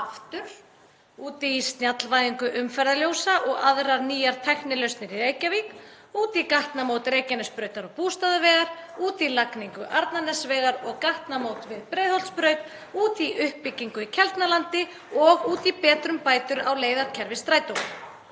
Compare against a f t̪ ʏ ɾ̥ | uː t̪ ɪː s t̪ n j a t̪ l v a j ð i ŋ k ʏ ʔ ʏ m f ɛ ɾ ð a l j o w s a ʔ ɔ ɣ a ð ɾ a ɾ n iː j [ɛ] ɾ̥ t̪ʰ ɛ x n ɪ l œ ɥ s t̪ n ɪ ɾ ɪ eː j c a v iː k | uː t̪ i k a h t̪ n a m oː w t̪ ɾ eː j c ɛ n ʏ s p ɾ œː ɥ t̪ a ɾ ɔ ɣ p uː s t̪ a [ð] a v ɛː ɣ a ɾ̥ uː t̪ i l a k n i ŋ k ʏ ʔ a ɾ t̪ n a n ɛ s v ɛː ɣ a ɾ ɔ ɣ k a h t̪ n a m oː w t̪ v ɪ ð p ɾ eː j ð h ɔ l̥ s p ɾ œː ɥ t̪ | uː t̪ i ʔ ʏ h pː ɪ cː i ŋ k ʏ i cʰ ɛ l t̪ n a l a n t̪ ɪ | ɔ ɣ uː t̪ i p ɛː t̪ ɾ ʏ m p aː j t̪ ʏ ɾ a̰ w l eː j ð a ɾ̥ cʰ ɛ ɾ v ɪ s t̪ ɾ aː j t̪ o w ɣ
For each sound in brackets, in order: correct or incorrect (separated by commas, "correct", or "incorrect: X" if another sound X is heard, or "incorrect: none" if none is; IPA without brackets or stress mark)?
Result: incorrect: a, correct